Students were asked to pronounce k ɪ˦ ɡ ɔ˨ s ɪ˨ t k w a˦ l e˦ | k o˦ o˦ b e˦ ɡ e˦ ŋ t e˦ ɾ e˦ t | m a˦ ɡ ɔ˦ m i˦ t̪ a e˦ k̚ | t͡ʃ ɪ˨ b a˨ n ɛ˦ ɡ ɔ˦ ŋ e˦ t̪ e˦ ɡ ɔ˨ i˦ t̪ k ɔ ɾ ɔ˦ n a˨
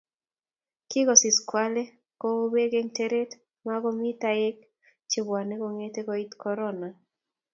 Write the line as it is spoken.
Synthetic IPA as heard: k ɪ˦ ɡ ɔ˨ s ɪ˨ s k w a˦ l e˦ | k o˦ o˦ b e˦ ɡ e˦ ŋ t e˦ ɾ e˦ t | m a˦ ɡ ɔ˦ m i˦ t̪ a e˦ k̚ | t͡ʃ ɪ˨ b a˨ n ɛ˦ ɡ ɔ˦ ŋ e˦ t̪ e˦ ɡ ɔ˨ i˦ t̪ k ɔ ɾ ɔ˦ n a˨

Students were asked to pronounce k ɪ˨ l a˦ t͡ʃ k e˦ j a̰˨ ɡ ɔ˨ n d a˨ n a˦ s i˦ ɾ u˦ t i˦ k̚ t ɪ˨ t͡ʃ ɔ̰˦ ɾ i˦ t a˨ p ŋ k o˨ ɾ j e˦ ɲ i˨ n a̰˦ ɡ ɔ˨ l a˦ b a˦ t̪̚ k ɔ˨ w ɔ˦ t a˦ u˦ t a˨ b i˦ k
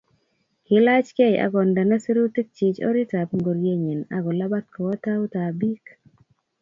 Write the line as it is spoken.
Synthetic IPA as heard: k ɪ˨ l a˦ t͡ʃ k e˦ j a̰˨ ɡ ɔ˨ n d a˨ n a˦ s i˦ ɾ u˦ t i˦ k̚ t͡ʃ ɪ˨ t͡ʃ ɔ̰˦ ɾ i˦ t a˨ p ŋ ɡ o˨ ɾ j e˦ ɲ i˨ n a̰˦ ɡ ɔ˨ l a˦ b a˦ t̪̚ k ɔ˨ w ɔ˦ t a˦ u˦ t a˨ b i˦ k

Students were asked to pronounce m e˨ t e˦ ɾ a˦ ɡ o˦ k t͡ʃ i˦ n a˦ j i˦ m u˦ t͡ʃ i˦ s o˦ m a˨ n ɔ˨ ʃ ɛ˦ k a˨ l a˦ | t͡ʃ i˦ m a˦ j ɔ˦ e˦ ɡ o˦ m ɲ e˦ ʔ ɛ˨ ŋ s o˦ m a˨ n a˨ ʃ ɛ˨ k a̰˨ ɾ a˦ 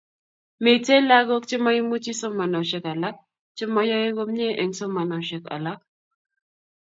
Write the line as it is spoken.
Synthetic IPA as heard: m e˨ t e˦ l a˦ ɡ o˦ k t͡ʃ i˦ m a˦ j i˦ m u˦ t͡ʃ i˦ s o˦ m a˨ n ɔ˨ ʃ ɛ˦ k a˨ l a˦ | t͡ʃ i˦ m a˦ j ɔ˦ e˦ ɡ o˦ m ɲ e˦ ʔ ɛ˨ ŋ s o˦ m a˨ n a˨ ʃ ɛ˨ k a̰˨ l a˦

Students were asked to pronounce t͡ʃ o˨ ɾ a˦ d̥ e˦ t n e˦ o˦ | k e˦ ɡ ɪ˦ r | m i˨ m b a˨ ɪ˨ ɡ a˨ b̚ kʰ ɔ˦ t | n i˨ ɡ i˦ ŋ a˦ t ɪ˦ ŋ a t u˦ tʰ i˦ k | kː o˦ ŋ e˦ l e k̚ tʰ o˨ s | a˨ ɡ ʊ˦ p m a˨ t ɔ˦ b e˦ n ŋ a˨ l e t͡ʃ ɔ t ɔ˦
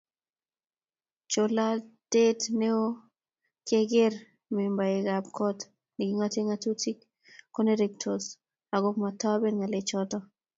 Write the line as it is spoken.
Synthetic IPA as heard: t͡ʃ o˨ l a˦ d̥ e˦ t n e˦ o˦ | k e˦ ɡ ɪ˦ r | m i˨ m b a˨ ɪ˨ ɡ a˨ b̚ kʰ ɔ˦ t | n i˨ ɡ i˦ ŋ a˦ t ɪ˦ ŋ a t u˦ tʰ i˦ k | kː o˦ n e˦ ɾ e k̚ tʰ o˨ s | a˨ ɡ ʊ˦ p m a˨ t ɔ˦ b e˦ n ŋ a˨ l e t͡ʃ ɔ t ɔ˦

